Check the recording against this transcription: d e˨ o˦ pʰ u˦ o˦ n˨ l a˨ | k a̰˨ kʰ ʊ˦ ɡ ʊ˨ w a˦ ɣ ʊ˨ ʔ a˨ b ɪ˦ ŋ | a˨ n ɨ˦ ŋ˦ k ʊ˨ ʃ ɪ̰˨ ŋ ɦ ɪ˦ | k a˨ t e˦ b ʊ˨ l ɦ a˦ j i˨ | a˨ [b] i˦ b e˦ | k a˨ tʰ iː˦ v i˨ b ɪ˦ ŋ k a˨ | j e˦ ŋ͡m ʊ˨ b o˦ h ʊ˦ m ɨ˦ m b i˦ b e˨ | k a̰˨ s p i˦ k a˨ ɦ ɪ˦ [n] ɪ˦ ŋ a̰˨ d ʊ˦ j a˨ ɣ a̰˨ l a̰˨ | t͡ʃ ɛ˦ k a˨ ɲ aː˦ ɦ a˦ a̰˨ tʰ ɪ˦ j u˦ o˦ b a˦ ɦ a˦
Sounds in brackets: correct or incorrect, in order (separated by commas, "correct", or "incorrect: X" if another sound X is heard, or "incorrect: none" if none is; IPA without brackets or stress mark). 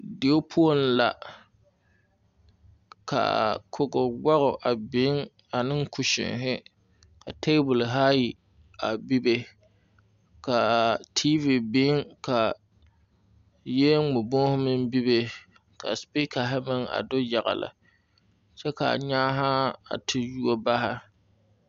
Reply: correct, incorrect: m